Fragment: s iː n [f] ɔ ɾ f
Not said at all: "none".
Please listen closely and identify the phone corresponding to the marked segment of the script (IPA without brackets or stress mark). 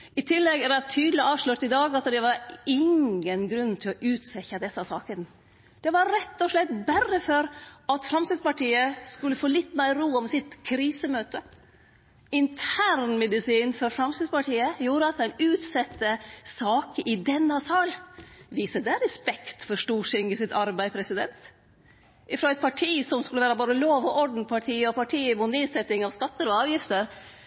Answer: f